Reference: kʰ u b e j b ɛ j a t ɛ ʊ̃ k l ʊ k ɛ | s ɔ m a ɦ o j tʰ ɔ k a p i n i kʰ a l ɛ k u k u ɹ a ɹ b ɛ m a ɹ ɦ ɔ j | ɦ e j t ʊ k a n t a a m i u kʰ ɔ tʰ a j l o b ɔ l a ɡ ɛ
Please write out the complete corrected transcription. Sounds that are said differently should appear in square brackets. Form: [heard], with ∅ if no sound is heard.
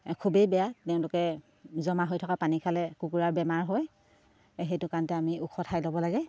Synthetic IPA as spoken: kʰ u b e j b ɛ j a t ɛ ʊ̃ [∅] l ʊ k ɛ | [z] ɔ m a ɦ o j tʰ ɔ k a p [a] n i kʰ a l ɛ k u k u ɹ a ɹ b ɛ m a ɹ ɦ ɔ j | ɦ e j t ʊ k a n t [ɛ] a m i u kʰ ɔ tʰ a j l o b ɔ l a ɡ ɛ

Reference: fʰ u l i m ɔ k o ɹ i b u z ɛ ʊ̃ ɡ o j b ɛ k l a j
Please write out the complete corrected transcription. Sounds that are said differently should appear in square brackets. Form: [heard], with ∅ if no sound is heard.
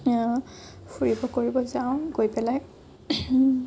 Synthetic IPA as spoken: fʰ u [ɹ] i [b] ɔ k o ɹ i b [ɔ] z [a] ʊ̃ ɡ o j [p] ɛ [∅] l a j

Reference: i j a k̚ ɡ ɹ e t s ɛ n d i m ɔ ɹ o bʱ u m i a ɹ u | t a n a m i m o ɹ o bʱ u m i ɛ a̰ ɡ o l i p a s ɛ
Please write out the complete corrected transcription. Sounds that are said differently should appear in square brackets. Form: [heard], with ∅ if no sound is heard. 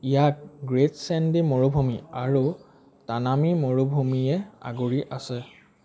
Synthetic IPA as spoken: i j a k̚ ɡ ɹ e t s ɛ n d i m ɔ ɹ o bʱ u m i a ɹ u | t a n a m i m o ɹ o bʱ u m i ɛ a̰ ɡ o [ɹ] i [ʔ] a s ɛ

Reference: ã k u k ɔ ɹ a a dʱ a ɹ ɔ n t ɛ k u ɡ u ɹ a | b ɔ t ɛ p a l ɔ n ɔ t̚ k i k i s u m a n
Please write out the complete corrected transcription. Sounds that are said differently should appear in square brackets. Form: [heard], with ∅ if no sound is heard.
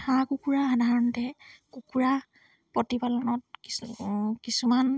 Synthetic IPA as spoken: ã k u k [u] ɹ a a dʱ a ɹ ɔ n t ɛ k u [k] u ɹ a | [p] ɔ t [i] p a l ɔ n ɔ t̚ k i k i s u m a n

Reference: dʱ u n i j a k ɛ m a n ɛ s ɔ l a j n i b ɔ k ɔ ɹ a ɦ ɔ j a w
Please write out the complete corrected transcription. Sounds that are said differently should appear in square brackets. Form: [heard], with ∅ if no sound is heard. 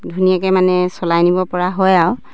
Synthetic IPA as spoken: dʱ u n i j a k ɛ m a n ɛ s ɔ l a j n i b ɔ [p] ɔ ɹ a ɦ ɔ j a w

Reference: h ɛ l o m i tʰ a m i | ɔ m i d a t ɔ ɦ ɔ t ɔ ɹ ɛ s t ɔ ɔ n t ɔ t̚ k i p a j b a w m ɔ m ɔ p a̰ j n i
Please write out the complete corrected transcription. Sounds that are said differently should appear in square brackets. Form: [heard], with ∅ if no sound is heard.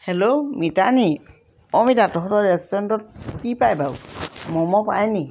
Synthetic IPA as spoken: h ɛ l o m i [t] a [n] i | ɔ m i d a t ɔ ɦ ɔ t ɔ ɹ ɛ s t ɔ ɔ n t ɔ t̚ k i p a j b a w m ɔ m ɔ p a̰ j n i

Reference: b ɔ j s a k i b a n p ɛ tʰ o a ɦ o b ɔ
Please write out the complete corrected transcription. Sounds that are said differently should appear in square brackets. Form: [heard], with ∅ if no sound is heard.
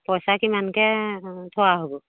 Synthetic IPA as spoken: [p] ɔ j s a k i [m] a n [k] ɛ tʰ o a ɦ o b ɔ

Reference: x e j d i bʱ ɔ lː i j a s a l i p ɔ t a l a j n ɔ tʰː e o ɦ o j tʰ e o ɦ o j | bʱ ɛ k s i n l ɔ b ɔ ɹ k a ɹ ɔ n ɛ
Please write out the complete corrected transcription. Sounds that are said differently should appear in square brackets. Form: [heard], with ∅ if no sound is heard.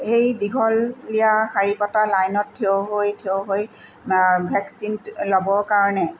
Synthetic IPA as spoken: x e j d i [ɡʱ] ɔ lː i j a [x] a [ɹ] i p ɔ t a l a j n ɔ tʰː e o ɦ o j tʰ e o ɦ o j | bʱ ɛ k s i n l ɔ b ɔ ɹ k a ɹ ɔ n ɛ

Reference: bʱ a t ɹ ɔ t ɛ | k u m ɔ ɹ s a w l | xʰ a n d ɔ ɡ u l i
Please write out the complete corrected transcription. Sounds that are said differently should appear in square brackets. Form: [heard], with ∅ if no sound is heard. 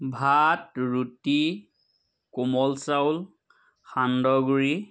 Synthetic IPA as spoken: bʱ a t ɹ [u] t [i] | k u m ɔ [l] s a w l | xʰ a n d ɔ ɡ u [ɹ] i

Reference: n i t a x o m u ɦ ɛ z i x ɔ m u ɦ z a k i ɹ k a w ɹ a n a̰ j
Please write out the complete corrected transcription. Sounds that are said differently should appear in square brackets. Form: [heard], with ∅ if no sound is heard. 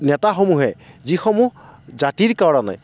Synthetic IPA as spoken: n [ɛ] t a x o m u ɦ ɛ z i x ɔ m u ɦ z a [t] i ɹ k a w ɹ a n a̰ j

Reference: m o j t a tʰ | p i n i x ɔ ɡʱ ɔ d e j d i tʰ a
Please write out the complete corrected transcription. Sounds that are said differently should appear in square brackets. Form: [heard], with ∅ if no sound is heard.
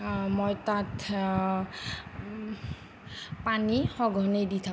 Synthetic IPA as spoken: m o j t a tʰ | p [a] n i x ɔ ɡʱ ɔ [n] e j d i tʰ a

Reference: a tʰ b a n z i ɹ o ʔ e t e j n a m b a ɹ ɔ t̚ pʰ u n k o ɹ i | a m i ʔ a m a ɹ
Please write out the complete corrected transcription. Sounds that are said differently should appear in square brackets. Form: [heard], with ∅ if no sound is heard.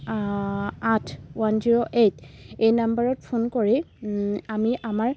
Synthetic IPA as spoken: a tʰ [w] a n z i ɹ o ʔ e t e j n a m b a ɹ ɔ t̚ pʰ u n k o ɹ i | a m i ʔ a m a ɹ

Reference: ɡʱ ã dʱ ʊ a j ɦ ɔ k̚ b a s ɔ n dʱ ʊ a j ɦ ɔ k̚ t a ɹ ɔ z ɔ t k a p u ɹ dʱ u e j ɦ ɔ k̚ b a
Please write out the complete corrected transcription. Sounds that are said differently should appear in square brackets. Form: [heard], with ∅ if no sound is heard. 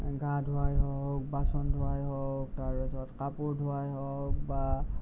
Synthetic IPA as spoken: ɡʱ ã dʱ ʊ a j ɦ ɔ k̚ b a s ɔ n dʱ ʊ a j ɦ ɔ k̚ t a ɹ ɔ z ɔ t k a p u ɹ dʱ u [a] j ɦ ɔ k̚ b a

